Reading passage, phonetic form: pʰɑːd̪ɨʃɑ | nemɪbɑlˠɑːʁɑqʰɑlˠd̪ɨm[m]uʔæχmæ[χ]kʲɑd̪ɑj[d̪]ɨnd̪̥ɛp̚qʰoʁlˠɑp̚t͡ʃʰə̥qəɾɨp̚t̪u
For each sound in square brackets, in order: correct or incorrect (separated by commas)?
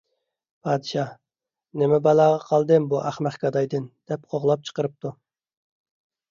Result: incorrect, correct, correct